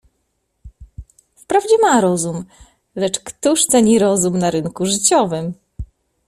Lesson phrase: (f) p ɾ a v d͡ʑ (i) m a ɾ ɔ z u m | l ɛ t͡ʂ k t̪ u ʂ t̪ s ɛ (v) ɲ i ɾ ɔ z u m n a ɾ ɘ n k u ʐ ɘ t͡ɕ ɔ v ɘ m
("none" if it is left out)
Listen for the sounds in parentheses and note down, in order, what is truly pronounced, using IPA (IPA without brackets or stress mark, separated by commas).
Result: f, ɛ, none